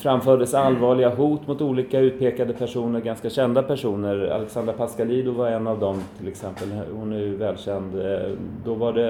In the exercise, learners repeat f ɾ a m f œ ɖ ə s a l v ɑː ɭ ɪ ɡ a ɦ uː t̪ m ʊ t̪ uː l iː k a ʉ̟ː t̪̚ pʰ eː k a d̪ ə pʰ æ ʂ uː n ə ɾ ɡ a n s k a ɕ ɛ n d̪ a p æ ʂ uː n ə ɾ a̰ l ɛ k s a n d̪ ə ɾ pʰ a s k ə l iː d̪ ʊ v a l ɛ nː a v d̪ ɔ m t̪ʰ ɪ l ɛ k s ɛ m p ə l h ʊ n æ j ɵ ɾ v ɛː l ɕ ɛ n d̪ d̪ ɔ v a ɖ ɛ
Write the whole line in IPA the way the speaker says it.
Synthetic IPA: f ɾ a m f œː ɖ ə s a l v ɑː ɭ ɪ ɡ a ɦ uː t̪ m ʊ t̪ uː l iː k a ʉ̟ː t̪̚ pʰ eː k a d̪ ə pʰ æ ʂ uː n ə ɾ ɡ a n s k a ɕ ɛ n d̪ a p æ ʂ uː n ə ɾ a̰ l ɛ k s a n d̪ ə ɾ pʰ a s k a l iː d̪ ʊ v a ɾ ɛ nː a v d̪ ɔ m t̪ʰ ɪ l ɛ k s ɛ m p ə l h ʊ n æ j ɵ v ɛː l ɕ ɛ n d̪ d̪ ɔ v a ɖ ɛ